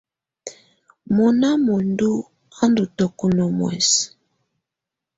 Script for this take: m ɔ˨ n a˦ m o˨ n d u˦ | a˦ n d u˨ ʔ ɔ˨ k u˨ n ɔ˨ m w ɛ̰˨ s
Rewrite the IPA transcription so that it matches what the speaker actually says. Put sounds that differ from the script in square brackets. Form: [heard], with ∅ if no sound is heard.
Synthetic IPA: m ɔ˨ n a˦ m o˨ n d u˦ | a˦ n d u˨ [t] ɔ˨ k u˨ n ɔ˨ m w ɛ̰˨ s

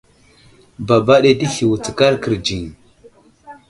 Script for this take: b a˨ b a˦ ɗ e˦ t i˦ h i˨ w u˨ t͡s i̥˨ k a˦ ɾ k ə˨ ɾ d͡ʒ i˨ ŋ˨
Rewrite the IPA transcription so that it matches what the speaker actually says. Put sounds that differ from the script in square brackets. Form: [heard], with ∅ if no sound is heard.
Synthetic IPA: b a˨ b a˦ ɗ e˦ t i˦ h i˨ w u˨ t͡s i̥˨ k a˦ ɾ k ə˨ ɾ d͡ʒ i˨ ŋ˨

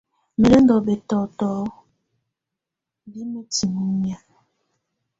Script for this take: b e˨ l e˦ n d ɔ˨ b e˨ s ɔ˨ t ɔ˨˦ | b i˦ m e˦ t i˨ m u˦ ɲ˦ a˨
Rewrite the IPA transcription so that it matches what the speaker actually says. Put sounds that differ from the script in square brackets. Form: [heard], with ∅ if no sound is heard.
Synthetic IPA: [m] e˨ l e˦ n d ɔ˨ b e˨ [t] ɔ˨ t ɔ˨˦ | b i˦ m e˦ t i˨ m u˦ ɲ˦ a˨

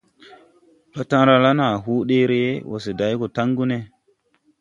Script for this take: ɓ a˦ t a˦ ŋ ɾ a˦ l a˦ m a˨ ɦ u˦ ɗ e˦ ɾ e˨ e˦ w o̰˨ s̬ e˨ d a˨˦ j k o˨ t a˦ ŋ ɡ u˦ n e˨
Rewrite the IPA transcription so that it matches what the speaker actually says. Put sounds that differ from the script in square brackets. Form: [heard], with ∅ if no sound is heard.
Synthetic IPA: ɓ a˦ t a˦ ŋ ɾ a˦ l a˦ [n] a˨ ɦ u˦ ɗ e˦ ɾ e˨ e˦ w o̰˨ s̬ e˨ d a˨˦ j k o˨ t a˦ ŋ ɡ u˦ n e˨

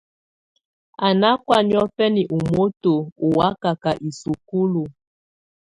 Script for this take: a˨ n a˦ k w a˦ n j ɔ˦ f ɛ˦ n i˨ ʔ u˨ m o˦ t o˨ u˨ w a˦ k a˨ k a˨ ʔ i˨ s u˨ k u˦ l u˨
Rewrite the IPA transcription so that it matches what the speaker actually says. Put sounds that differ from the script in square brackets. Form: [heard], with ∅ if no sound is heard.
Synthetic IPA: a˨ n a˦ k w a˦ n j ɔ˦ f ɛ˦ n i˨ ʔ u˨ m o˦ t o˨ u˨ w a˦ k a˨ k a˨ ʔ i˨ s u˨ k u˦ l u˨

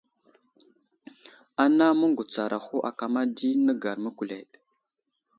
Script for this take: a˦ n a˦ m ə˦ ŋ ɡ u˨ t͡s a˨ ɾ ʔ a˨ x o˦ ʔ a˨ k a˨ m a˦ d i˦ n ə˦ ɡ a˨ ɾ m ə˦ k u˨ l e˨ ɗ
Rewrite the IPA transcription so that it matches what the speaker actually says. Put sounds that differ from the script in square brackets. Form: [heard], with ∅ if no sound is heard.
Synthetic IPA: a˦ n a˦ m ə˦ ŋ ɡ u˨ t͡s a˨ ɾ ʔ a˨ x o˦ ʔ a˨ k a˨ m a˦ d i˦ n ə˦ ɡ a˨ ɾ m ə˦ k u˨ l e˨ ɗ

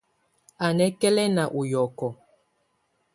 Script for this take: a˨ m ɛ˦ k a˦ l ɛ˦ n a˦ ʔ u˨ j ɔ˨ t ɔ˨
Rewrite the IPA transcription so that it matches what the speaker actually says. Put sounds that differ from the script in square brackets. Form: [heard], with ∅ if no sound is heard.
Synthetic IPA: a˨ [n] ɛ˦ k [ɛ˦] l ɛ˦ n [a˨] ʔ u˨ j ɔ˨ [k] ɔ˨

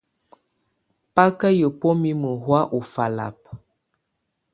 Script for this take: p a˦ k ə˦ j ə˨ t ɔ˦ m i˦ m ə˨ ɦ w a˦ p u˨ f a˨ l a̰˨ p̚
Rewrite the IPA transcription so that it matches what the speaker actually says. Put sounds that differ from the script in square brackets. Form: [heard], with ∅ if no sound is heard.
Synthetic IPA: p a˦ k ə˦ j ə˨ [p] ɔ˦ m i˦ m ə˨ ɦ w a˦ [ʔ] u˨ f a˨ l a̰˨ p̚

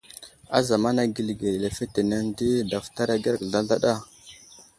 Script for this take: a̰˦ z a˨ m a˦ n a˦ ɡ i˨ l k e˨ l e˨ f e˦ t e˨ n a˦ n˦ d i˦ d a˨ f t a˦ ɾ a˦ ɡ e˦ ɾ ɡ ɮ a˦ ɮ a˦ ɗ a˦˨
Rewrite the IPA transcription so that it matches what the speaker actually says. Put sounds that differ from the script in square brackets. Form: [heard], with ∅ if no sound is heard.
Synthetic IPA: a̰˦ z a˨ m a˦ n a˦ ɡ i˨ l [ɡ] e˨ l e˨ f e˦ t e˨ n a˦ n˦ d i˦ d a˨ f t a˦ ɾ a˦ ɡ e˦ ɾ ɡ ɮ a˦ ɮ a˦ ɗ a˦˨

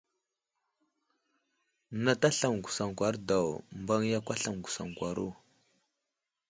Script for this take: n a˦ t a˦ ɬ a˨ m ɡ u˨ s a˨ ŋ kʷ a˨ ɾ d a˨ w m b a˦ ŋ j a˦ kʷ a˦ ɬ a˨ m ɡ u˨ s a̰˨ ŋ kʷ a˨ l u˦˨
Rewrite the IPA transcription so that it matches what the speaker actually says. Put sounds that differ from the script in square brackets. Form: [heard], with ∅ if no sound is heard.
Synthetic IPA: n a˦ t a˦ ɬ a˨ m ɡ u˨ s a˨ ŋ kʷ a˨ ɾ d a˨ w m b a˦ ŋ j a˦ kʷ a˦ ɬ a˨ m ɡ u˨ s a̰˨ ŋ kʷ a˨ [ɾ] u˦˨

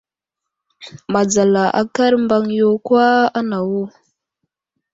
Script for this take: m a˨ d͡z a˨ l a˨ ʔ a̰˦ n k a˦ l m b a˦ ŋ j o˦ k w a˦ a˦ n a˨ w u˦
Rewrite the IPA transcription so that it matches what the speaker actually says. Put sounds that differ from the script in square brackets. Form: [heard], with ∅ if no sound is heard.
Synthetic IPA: m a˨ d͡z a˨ l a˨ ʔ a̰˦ [∅] k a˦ [ɾ] m b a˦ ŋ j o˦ k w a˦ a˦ n a˨ w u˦

